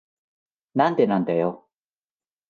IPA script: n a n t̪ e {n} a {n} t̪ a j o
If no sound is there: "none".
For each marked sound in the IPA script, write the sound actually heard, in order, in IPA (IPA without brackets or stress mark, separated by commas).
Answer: n, n